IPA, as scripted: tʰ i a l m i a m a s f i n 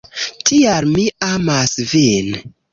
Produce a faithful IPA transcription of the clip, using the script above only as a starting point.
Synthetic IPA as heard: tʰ i a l m i a m a s v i n